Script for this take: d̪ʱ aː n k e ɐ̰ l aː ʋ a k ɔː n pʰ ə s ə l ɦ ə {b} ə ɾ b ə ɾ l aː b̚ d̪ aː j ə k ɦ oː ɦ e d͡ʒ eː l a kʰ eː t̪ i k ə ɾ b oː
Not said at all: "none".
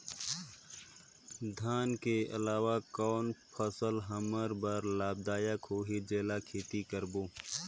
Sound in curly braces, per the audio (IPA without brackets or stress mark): m